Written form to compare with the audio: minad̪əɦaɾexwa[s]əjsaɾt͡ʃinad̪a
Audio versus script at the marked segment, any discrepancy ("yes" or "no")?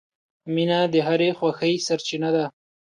yes